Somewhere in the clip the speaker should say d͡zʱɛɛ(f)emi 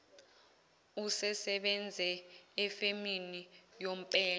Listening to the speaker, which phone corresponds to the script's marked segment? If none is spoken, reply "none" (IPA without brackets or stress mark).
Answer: f